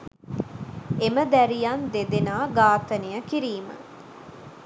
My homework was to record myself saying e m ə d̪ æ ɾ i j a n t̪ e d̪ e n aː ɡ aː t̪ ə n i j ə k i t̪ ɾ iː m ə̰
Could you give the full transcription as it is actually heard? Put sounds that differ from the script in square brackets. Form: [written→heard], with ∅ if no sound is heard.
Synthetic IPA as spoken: e m ə d̪ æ ɾ i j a n [t̪→d̪] e d̪ e n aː ɡ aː t̪ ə n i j ə k i [t̪→∅] ɾ iː m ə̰